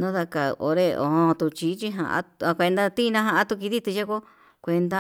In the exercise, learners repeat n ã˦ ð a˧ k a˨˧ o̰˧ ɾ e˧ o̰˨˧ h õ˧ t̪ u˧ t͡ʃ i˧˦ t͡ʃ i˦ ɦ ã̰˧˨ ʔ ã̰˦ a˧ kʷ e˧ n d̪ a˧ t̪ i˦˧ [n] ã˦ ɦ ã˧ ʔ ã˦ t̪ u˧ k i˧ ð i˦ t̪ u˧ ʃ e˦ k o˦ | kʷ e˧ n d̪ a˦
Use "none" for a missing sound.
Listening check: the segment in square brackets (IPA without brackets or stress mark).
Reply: n